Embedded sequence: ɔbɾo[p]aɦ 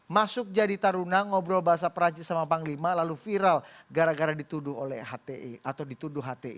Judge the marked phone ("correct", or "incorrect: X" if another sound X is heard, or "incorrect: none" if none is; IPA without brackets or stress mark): incorrect: b